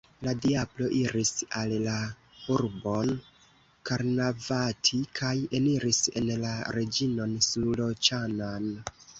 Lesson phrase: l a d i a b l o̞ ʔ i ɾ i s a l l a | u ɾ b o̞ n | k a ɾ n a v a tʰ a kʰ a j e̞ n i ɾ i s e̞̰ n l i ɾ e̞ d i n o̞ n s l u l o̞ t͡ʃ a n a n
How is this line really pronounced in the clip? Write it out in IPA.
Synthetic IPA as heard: l a d i a b l o̞ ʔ i ɾ i s a l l a | u ɾ b o̞ n | k a ɾ n a v a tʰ i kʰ a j e̞ n i ɾ i s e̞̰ n l a ɾ e̞ d͡ʒ i n o̞ n s l u l o̞ t͡ʃ a n a n